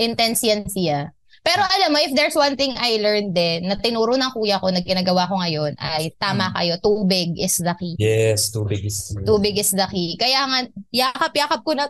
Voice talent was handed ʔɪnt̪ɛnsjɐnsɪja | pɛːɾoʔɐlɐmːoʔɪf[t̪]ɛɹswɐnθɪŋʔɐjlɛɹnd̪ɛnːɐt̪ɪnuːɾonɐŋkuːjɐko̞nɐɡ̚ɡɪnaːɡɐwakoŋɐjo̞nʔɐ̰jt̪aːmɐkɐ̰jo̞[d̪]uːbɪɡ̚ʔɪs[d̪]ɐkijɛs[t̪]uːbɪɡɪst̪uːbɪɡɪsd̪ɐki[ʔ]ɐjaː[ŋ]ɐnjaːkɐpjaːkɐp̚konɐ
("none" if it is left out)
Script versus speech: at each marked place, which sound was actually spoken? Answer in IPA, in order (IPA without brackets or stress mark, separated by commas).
d̪, t̪, d̪, t̪, k, ŋ